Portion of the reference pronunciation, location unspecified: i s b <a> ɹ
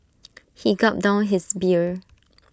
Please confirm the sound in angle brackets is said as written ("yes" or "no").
no